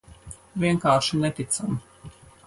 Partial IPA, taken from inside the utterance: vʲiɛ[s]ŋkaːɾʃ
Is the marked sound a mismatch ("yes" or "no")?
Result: yes